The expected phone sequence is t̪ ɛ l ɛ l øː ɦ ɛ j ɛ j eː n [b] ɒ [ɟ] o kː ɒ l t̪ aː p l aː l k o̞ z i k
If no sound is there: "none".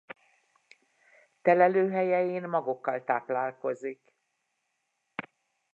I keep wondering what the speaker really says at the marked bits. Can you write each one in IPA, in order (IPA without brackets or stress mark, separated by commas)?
m, ɡ